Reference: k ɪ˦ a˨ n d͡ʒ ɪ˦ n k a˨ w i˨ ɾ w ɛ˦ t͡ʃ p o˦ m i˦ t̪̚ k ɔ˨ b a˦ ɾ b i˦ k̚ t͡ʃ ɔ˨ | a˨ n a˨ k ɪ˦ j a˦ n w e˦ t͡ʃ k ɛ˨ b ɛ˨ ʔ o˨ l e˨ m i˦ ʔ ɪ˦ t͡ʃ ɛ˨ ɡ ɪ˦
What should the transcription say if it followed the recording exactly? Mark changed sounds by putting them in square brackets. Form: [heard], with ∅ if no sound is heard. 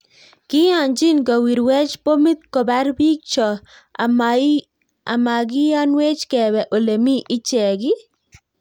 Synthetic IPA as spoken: k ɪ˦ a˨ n d͡ʒ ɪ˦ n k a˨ w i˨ ɾ w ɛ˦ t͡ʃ p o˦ m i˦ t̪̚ k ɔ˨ b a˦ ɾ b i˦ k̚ t͡ʃ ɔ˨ | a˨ [m] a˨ [ɡ] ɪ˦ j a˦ n w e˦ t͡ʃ k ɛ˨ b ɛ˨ ʔ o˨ l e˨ m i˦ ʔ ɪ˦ t͡ʃ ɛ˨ ɡ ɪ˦